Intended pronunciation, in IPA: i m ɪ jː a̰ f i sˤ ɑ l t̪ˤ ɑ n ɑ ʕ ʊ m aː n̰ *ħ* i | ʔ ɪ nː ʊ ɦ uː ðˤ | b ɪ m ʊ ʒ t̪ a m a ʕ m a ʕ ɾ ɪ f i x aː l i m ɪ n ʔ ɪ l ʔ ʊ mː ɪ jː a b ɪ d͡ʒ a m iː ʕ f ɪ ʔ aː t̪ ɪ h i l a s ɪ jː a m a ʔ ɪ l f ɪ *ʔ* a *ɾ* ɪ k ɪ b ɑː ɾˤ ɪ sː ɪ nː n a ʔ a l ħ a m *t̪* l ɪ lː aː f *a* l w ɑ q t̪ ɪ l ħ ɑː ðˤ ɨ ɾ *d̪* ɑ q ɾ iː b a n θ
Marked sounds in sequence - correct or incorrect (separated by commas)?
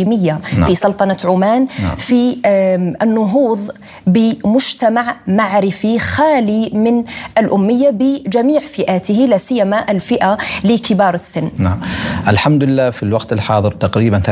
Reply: incorrect, correct, incorrect, incorrect, incorrect, incorrect